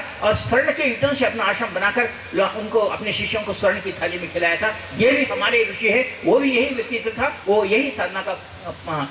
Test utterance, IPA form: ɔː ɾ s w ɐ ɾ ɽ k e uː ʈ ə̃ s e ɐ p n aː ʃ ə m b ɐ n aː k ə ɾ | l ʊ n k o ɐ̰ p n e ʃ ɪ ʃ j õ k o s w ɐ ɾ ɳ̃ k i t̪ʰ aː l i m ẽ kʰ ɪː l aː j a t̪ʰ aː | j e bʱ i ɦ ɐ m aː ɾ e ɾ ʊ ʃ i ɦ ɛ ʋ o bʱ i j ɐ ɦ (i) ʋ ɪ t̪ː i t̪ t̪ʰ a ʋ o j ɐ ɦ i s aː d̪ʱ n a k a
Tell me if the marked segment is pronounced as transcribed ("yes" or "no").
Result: yes